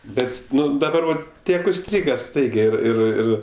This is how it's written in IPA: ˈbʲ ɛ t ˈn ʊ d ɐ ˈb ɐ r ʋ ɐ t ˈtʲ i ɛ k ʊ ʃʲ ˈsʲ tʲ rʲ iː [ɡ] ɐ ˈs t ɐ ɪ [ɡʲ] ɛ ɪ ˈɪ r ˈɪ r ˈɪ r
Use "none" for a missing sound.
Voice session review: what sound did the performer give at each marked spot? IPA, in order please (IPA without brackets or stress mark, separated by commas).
ɡ, ɡʲ